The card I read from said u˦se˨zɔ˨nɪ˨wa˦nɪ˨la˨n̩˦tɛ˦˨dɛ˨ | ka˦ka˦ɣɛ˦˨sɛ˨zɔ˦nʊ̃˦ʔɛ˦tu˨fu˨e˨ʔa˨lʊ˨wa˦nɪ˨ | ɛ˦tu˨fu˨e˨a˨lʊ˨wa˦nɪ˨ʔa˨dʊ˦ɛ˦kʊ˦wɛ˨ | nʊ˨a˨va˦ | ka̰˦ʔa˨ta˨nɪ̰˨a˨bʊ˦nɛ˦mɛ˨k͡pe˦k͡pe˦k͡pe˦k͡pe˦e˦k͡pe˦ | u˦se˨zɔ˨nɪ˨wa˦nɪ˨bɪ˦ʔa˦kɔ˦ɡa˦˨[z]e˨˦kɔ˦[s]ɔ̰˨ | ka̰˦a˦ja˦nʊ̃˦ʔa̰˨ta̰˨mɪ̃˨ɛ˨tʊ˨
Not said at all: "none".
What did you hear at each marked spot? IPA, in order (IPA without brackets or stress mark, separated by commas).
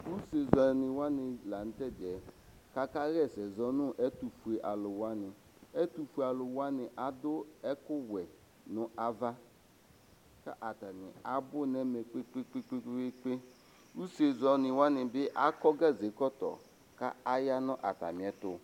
z, t